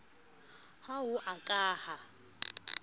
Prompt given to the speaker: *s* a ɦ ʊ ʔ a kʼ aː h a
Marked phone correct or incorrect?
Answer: incorrect